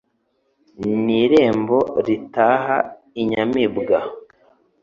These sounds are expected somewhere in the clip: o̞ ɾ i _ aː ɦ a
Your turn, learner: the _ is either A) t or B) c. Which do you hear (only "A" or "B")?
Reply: A